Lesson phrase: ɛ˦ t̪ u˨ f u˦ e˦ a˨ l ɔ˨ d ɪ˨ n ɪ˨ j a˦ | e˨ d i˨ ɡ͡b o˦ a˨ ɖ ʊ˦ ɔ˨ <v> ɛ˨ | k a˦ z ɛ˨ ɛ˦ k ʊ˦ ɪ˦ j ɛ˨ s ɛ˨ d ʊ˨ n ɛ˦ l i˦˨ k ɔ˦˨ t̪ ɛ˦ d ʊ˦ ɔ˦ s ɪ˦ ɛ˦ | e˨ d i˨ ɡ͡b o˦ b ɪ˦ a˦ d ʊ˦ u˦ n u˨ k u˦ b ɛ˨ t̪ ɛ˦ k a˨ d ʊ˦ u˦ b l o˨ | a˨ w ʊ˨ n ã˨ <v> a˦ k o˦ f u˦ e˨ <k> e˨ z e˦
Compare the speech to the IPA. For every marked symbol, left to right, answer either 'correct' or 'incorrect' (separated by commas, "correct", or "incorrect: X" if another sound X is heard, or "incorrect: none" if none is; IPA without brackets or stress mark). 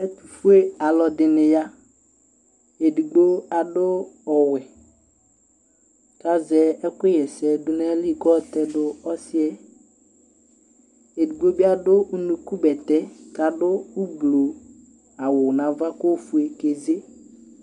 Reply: incorrect: w, correct, correct